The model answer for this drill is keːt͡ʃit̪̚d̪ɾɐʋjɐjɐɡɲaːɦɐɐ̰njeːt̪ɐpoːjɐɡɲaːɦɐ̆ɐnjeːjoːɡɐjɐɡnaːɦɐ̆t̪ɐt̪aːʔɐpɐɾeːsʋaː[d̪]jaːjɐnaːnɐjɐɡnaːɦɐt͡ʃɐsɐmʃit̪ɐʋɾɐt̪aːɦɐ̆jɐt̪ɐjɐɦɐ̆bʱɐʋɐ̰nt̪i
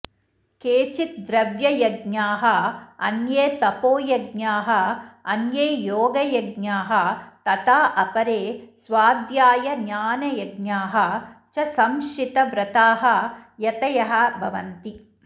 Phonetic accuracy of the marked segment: correct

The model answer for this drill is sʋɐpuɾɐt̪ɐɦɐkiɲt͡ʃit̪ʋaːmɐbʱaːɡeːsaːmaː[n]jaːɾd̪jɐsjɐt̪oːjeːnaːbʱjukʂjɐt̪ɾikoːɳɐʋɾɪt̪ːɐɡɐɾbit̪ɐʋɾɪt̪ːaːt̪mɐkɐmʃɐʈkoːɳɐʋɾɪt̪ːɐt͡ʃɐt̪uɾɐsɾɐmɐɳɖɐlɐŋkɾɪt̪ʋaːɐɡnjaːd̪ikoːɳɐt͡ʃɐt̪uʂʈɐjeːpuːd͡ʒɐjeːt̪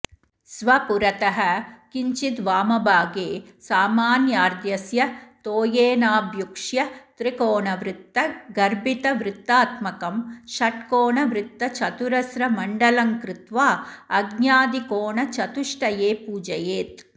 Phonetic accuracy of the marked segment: correct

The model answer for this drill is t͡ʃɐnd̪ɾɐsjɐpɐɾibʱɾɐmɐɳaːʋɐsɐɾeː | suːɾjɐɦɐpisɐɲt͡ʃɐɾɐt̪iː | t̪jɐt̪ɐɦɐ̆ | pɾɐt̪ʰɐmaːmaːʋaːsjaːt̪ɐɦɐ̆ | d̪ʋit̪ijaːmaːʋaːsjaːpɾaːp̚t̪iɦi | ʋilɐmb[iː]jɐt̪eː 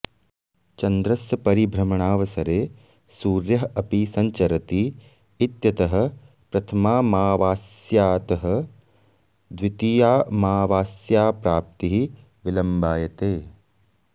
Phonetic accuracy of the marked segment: incorrect: aː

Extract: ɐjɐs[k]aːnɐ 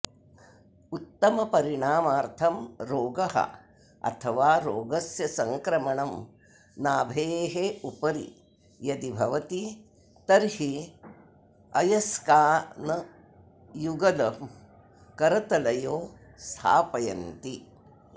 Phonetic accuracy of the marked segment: correct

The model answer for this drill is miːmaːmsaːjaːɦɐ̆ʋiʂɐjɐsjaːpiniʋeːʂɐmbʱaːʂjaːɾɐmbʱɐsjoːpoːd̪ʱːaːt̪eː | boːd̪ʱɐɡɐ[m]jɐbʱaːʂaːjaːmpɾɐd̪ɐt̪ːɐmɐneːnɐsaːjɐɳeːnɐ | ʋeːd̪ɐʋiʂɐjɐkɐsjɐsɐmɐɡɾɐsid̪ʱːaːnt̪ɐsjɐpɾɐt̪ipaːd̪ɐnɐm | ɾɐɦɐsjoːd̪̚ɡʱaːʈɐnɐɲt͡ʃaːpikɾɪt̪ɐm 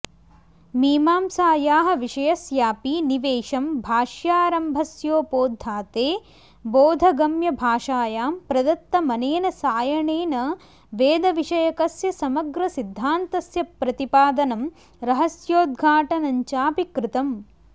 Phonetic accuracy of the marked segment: correct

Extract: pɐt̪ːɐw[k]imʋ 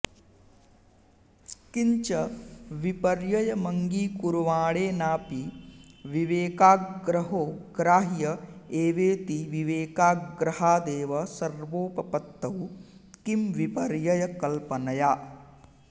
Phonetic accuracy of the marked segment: correct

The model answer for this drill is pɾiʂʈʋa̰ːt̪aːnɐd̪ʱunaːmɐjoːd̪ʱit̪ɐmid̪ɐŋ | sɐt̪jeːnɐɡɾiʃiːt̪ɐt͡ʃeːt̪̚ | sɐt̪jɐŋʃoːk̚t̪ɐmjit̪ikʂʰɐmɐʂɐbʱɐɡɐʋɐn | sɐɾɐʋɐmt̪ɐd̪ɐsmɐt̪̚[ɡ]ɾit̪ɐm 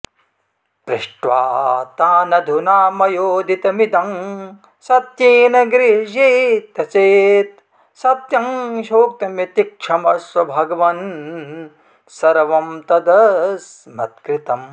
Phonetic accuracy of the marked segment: incorrect: k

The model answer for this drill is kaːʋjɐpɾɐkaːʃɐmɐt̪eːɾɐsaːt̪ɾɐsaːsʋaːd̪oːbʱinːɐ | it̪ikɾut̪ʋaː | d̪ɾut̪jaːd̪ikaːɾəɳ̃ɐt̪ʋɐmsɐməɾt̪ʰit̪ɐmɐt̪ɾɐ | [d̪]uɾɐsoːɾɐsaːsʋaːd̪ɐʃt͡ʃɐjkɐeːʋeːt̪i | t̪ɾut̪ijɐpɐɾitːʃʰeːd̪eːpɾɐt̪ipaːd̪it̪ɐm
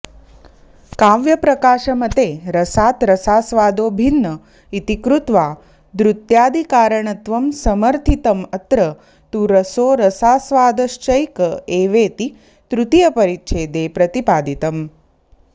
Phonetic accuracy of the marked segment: incorrect: t̪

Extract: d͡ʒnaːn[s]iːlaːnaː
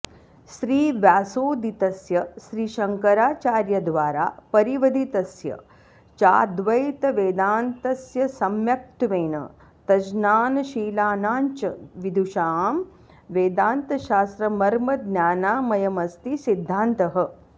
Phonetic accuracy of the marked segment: incorrect: ʃ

